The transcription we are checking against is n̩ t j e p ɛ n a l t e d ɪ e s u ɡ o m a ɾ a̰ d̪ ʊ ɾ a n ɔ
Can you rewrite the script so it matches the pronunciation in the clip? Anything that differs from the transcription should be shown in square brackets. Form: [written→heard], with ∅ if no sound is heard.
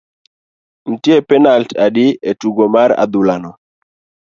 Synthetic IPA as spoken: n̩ t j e p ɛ n a l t [e→a] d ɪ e [s→t] u ɡ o m a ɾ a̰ d̪ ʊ [ɾ→l] a n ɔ